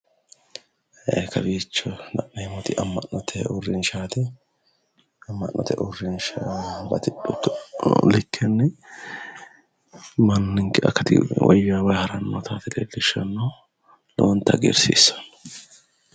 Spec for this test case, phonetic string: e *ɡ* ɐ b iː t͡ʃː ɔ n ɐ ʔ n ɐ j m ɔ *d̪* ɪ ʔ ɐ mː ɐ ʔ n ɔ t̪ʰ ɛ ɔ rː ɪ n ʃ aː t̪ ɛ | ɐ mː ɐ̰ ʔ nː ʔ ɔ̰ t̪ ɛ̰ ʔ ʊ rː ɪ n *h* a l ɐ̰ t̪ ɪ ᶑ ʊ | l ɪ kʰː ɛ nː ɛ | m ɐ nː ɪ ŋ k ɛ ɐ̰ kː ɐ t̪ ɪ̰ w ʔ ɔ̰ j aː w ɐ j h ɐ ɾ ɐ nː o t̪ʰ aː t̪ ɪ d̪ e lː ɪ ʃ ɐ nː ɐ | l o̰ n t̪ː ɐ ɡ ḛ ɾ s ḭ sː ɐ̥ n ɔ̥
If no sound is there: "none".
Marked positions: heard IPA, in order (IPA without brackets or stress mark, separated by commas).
k, t̪, ʃ